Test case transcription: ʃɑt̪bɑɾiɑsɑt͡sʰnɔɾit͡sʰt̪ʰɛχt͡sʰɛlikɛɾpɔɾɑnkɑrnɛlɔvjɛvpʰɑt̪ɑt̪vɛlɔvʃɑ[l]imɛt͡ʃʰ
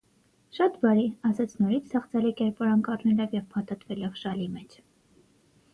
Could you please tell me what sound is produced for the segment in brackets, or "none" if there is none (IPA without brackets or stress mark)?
l